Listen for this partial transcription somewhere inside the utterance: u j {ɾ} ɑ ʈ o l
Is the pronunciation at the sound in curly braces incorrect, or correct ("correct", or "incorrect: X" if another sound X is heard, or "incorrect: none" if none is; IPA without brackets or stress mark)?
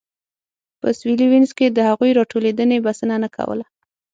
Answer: correct